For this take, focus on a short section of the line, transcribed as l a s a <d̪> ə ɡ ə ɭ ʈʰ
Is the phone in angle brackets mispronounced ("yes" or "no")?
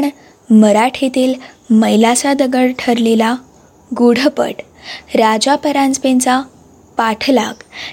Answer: no